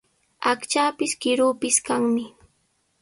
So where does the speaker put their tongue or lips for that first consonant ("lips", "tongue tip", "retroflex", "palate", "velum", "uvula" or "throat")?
velum